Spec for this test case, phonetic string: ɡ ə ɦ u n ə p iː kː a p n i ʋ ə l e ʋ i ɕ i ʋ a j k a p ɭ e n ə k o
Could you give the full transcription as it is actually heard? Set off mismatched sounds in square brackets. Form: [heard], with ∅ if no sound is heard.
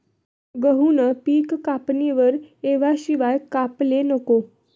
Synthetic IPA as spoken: ɡ ə ɦ u n ə p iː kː a p n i ʋ ə [ɾ] e ʋ [a] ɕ i ʋ a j k a p [l] e n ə k o